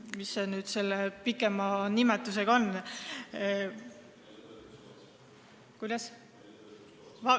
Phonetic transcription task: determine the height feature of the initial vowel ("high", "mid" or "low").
high